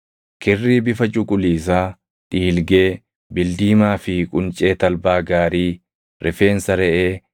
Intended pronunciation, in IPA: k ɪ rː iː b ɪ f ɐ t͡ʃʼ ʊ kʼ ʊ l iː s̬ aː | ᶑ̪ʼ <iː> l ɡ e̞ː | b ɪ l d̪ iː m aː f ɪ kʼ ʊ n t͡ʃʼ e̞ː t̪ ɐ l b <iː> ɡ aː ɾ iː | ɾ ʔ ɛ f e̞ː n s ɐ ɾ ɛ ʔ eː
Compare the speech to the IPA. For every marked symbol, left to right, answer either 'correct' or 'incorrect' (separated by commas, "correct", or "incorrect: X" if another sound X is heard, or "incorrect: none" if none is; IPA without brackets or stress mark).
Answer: correct, incorrect: aː